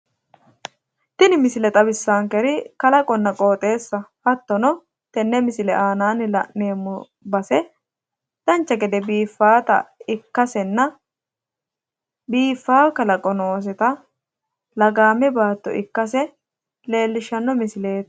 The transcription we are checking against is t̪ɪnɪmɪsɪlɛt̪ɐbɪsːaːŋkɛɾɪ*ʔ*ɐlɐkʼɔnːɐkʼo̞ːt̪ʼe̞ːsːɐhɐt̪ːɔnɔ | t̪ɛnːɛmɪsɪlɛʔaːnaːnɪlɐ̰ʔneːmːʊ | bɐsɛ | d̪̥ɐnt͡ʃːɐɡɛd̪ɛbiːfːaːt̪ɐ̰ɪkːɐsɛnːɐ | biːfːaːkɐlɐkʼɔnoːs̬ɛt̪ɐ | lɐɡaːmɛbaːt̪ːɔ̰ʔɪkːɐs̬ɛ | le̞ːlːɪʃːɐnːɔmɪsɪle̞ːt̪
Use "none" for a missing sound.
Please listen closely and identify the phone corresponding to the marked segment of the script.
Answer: k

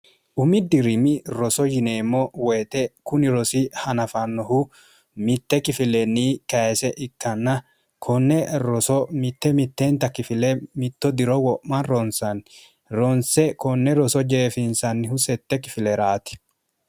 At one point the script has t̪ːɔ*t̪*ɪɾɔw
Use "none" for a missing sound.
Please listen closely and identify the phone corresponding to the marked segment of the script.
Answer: d̪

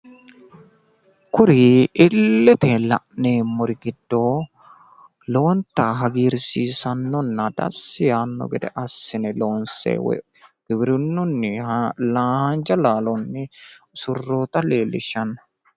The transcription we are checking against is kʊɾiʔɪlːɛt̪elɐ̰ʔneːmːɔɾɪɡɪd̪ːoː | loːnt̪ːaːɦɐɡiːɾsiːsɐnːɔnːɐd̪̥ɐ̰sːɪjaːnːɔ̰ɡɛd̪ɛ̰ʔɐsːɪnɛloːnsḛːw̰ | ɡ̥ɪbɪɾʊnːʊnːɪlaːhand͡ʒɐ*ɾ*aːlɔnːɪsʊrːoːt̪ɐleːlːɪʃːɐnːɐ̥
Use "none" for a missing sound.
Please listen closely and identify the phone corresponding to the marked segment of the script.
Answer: l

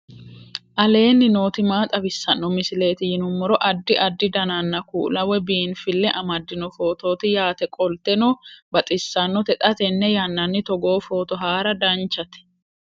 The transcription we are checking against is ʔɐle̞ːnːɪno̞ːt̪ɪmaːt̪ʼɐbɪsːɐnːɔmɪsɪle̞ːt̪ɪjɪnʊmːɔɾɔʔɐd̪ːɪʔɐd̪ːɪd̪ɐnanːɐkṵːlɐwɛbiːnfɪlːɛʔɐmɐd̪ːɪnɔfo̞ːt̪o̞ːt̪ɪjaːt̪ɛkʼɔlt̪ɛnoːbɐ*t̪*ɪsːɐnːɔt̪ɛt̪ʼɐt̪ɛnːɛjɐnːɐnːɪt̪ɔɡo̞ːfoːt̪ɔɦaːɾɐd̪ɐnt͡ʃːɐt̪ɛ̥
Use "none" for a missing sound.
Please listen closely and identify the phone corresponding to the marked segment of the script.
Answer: t̪ʼ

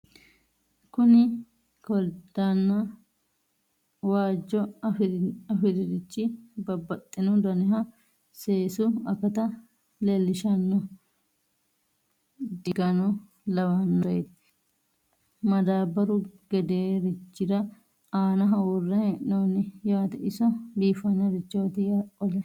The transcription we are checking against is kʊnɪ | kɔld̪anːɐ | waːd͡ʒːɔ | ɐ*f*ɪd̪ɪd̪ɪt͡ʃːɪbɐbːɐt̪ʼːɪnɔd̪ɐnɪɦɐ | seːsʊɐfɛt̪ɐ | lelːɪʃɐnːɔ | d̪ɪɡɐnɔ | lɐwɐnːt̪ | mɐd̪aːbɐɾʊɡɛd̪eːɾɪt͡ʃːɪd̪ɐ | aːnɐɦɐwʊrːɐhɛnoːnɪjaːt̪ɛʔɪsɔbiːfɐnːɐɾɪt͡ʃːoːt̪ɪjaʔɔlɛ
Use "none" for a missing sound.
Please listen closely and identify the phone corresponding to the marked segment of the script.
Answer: f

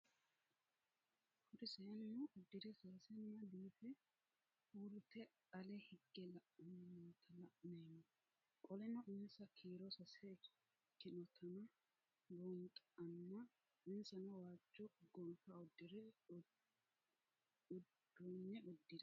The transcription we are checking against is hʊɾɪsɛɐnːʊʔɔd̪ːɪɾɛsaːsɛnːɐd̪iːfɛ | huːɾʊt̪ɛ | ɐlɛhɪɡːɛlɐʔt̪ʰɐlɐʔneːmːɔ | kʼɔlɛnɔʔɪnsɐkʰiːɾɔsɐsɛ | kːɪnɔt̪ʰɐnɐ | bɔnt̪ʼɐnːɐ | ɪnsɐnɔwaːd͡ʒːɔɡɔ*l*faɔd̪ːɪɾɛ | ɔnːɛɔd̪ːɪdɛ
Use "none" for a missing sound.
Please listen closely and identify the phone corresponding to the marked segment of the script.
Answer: l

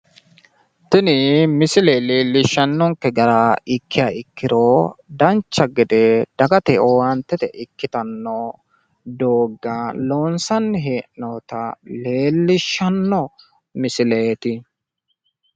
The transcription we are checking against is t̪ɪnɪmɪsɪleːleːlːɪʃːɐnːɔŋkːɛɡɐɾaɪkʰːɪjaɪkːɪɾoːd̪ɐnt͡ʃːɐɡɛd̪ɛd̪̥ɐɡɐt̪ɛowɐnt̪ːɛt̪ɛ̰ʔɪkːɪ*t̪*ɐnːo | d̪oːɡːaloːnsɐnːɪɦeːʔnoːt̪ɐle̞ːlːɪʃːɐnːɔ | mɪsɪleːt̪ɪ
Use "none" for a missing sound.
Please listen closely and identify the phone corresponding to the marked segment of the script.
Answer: t̪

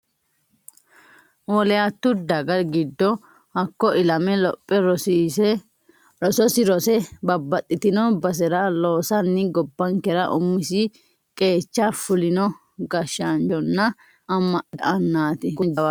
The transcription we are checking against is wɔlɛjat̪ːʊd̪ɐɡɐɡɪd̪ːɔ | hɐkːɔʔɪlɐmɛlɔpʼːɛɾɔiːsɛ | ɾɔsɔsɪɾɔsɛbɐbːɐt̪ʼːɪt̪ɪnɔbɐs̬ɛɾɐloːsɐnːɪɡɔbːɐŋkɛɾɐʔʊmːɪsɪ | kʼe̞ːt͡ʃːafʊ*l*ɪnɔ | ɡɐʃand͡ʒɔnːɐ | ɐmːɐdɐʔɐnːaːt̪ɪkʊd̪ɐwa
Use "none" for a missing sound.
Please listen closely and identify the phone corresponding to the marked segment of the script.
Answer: l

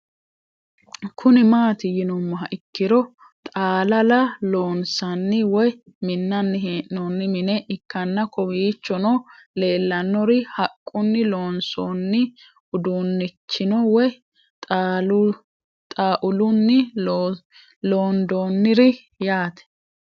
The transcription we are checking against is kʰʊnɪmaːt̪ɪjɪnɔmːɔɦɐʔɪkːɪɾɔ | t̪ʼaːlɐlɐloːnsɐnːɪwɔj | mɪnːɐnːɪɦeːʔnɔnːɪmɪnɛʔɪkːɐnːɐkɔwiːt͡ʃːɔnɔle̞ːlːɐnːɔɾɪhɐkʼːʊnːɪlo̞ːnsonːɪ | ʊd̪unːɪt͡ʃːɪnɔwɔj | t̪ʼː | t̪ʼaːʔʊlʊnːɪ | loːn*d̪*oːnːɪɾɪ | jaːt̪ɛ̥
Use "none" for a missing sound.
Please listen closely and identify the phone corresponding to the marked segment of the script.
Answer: d̪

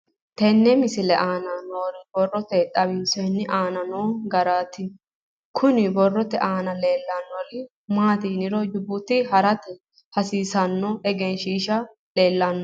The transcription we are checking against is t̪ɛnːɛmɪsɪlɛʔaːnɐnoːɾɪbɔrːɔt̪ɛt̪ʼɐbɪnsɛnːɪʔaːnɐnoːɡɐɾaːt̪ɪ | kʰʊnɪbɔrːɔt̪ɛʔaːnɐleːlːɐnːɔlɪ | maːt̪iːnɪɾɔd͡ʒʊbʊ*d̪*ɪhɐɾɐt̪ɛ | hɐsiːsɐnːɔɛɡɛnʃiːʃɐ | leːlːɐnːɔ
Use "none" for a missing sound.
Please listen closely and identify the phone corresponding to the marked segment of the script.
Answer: t̪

